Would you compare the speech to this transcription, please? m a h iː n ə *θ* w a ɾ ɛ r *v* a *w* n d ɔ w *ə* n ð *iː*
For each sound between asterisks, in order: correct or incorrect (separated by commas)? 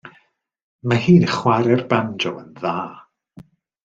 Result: incorrect, incorrect, incorrect, correct, incorrect